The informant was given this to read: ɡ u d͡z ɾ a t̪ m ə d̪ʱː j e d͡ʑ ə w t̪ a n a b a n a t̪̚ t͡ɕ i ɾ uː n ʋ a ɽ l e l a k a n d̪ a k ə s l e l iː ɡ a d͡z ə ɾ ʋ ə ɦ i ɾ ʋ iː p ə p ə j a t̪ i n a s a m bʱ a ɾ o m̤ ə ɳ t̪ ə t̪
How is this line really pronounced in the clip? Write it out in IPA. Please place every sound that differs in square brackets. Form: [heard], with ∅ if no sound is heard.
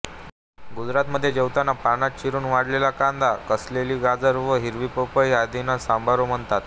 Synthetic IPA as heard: ɡ u d͡z ɾ a t̪ m ə d̪ʱː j e d͡ʑ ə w t̪ a n a [p] a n a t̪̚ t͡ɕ i ɾ uː n ʋ a ɽ l e l a k a n d̪ a k ə s l e l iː ɡ a d͡z ə ɾ ʋ ə ɦ i ɾ ʋ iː p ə p ə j a [d̪] i n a s a m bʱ a ɾ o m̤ ə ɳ t̪ [a] t̪